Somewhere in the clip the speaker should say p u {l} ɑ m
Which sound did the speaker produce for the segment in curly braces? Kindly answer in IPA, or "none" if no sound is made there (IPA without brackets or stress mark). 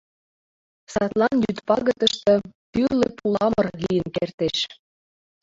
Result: l